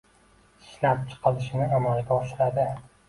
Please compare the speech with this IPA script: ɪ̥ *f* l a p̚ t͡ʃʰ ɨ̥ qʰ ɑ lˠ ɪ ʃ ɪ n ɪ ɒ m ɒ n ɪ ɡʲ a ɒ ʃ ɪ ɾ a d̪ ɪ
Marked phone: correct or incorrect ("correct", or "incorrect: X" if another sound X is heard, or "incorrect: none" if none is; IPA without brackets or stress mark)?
incorrect: ʃ